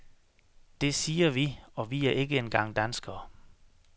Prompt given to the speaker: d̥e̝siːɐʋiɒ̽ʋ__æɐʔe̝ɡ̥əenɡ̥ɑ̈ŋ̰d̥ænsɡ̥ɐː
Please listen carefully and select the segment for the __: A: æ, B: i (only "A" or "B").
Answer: B